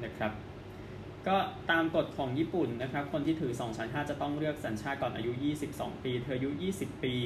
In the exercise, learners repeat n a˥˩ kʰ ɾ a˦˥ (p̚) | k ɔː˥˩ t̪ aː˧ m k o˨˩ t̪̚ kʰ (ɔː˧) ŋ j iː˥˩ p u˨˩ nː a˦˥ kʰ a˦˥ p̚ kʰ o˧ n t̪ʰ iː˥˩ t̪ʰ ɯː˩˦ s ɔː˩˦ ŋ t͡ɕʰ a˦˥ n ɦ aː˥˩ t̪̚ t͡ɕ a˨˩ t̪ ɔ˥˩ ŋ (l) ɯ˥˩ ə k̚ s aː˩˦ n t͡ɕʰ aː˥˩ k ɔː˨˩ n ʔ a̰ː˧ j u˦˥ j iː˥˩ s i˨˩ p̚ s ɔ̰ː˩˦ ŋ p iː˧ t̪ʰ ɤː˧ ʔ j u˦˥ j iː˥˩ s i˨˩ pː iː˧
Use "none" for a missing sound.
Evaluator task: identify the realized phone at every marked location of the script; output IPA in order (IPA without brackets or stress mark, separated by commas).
p̚, ɔː˩˦, ɾ